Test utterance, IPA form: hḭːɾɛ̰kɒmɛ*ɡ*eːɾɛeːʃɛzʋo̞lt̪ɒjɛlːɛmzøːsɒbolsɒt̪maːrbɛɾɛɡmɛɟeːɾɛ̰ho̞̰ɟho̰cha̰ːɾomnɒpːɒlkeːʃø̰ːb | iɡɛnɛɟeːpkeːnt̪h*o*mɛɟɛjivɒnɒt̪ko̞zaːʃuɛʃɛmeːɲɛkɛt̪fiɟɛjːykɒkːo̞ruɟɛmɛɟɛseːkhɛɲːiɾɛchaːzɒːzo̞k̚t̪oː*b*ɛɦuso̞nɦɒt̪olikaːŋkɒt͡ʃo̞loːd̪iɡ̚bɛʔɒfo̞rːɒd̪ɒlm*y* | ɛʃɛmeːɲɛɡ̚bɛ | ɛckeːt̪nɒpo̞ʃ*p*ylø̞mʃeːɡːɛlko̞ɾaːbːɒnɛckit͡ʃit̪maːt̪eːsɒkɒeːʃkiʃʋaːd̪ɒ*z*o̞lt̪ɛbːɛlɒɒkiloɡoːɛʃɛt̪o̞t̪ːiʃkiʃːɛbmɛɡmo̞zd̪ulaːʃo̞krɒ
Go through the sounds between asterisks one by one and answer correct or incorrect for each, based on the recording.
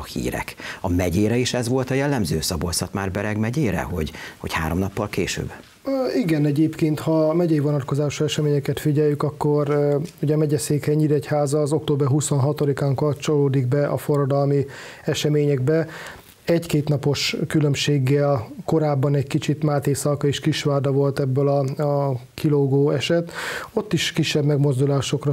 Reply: incorrect, incorrect, correct, incorrect, incorrect, incorrect

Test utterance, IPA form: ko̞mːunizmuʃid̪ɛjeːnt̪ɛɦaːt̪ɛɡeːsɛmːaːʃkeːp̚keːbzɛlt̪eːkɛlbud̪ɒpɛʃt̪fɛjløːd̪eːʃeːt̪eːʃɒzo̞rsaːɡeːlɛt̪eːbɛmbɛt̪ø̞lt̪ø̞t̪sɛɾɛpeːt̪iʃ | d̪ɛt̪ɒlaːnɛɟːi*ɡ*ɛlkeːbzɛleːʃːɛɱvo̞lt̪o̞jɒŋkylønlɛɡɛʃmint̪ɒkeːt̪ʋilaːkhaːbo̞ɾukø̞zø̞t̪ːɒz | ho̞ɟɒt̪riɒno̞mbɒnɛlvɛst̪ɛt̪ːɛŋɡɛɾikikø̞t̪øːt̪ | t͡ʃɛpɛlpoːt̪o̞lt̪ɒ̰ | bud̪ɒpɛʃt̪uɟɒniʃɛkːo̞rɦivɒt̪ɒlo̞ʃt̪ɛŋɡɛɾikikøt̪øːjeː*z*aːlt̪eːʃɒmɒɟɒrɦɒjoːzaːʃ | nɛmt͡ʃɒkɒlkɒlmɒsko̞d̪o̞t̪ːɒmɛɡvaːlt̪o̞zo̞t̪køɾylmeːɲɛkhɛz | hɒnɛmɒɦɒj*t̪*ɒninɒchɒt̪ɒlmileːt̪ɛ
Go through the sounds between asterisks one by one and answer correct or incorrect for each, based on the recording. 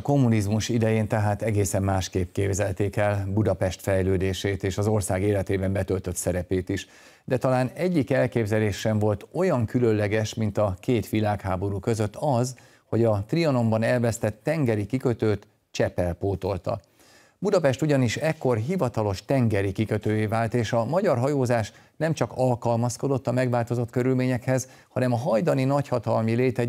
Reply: incorrect, incorrect, incorrect

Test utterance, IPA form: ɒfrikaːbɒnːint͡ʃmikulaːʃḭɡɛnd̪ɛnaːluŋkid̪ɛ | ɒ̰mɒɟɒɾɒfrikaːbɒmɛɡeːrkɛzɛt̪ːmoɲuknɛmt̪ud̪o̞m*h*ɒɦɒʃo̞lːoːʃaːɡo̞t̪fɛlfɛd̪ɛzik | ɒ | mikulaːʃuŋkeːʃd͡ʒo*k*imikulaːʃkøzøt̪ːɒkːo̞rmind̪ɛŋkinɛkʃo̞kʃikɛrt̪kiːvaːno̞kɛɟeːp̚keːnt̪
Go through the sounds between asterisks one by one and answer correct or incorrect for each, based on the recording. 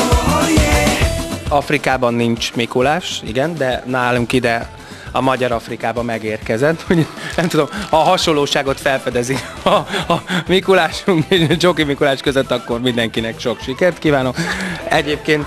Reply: correct, correct

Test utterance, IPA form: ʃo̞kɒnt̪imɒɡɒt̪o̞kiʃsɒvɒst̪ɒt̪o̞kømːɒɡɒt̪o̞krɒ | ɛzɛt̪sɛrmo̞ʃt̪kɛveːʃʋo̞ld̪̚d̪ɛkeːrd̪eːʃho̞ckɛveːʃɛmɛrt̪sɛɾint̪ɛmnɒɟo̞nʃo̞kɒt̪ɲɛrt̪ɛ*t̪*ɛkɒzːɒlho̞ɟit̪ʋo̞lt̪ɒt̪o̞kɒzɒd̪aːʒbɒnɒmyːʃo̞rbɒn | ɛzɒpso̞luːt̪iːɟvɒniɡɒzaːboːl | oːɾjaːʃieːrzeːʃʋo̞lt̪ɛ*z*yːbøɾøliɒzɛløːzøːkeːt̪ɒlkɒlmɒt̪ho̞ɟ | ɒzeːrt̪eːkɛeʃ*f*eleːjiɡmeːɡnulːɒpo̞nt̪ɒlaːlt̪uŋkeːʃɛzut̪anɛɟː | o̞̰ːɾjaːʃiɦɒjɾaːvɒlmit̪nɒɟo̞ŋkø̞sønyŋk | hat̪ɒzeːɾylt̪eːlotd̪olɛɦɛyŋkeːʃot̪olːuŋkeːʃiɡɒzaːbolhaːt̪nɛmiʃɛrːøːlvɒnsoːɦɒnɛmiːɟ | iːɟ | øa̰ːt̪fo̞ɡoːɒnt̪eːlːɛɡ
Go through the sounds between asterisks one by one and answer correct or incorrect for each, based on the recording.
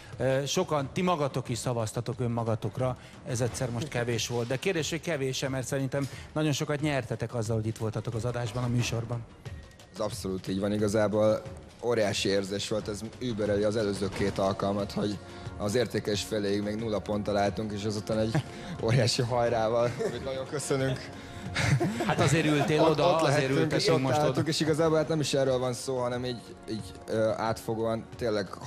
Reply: correct, correct, correct

